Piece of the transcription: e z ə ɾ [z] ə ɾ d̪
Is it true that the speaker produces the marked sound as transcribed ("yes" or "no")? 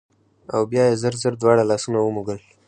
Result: yes